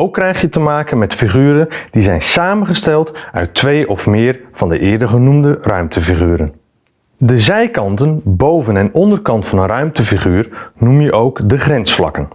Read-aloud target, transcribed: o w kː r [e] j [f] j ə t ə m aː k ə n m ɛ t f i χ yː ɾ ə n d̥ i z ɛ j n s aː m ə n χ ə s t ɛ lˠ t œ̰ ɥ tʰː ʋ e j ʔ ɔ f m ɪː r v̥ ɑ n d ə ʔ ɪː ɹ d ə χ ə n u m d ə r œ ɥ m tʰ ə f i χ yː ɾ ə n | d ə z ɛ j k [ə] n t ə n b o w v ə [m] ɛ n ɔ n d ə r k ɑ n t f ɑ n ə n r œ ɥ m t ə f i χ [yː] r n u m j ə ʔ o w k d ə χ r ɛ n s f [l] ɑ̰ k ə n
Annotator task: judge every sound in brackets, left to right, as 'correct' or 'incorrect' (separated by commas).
incorrect, incorrect, incorrect, incorrect, correct, correct